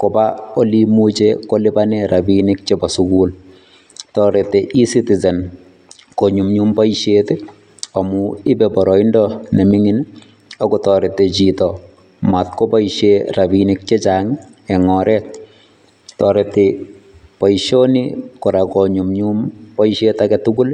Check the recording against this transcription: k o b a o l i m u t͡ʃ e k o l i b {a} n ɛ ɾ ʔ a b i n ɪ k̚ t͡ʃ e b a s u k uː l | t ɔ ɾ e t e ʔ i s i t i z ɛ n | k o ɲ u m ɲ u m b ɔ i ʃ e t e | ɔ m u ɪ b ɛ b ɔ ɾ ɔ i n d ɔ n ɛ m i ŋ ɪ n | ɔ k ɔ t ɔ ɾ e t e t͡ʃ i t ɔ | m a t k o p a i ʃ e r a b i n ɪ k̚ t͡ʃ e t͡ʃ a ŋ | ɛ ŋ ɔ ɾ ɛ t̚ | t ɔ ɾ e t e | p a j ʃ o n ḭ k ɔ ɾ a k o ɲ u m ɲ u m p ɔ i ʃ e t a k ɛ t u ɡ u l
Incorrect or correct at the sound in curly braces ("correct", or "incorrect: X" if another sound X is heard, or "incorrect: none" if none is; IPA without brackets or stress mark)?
correct